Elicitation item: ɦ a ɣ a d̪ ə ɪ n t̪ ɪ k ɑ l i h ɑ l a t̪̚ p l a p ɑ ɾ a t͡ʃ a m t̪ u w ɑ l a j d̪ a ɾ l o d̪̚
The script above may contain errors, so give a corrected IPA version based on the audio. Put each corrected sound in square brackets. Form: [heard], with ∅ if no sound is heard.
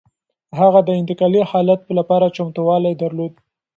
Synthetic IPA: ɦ a ɣ a d̪ ə ɪ n t̪ ɪ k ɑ l i h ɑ l a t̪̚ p l a p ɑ ɾ a t͡ʃ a m t̪ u w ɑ l a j d̪ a ɾ l o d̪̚